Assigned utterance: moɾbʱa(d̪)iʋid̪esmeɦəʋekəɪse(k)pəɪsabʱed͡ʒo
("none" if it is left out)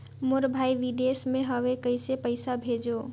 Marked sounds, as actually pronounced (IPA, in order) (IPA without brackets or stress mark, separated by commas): none, none